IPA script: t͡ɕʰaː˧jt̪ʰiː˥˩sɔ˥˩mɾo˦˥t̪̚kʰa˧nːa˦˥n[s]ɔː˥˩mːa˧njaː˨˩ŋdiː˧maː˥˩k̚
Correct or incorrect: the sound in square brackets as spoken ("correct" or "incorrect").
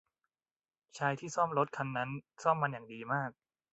correct